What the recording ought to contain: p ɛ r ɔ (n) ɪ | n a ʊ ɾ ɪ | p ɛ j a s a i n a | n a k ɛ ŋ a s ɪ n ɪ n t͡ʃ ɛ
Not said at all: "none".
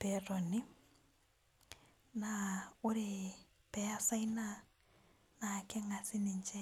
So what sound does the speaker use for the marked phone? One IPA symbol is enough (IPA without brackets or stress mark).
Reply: n